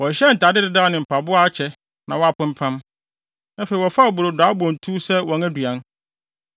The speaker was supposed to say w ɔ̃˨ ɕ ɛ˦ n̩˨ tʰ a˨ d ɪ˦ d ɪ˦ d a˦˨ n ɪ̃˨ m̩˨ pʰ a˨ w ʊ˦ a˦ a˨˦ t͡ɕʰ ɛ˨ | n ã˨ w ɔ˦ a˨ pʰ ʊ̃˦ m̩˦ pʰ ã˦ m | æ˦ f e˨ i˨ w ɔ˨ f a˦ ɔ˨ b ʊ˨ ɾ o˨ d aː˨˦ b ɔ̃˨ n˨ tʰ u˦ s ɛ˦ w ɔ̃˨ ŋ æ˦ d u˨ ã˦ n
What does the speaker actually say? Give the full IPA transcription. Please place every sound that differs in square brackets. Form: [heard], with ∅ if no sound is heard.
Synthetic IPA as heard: w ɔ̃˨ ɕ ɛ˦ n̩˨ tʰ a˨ d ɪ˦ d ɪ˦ d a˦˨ n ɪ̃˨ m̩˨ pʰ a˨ [b] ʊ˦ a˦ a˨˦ t͡ɕʰ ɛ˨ | n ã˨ w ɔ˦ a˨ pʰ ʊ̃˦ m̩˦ pʰ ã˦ m | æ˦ f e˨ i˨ w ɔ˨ f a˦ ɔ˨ b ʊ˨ ɾ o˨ d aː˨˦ b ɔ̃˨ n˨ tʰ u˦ s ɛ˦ w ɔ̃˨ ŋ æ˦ d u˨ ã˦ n